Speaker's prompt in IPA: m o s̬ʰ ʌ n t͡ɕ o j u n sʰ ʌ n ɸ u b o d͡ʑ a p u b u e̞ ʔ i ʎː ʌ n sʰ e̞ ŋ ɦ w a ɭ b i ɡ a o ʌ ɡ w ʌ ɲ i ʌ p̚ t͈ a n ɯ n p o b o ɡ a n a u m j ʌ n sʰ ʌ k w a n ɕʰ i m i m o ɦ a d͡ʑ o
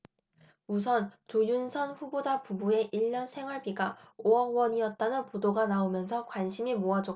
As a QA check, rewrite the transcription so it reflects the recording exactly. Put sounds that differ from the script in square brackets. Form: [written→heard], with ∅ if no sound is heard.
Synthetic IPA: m [o→u] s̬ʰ ʌ n t͡ɕ o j u n sʰ ʌ n ɸ u b o d͡ʑ a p u b u e̞ ʔ i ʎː ʌ n sʰ e̞ ŋ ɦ w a ɭ b i ɡ a o ʌ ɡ w ʌ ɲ i ʌ [p̚→t̚] t͈ a n ɯ n p o [b→d] o ɡ a n a [u→o] m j ʌ n sʰ ʌ k w a n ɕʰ i m i m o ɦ a d͡ʑ o